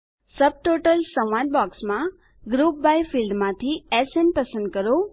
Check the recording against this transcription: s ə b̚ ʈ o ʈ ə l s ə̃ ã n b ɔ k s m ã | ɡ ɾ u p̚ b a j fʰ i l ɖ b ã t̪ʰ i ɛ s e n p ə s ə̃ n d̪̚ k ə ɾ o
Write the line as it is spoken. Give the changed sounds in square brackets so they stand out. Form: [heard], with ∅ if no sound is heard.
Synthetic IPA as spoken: s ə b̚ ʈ o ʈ ə l s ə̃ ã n b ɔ k s m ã | ɡ ɾ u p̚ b a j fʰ i l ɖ [m] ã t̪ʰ i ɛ s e n p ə s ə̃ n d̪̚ k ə ɾ o